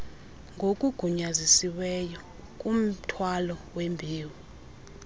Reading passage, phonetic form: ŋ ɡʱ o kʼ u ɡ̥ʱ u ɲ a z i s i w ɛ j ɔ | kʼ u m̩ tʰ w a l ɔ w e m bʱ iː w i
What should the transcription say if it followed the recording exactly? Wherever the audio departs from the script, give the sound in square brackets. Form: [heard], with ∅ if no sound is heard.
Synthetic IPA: ŋ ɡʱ o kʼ u ɡ̥ʱ u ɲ a z i s i w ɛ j ɔ | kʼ u m̩ tʰ w a l ɔ w e m bʱ iː w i